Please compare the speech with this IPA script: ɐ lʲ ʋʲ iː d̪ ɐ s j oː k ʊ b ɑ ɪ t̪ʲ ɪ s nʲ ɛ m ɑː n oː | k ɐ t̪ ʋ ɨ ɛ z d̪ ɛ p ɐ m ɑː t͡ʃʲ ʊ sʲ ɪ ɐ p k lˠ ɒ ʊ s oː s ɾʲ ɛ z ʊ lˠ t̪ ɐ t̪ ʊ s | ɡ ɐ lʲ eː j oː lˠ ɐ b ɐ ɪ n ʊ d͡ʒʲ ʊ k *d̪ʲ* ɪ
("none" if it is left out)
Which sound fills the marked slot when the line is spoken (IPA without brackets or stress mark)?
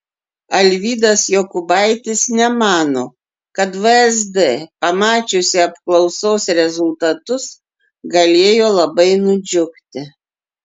t̪ʲ